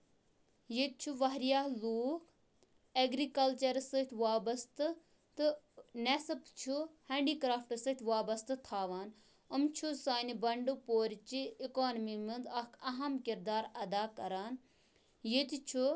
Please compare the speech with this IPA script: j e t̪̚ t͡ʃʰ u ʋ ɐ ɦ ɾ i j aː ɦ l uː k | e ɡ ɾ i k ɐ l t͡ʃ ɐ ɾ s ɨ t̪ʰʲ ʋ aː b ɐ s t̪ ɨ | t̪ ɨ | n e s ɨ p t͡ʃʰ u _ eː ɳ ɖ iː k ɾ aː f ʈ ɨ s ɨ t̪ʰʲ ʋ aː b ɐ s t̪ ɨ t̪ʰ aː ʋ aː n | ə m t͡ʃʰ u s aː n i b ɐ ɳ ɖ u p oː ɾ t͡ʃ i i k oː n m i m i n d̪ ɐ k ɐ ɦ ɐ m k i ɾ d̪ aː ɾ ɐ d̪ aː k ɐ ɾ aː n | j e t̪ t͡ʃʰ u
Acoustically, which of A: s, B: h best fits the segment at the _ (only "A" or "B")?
B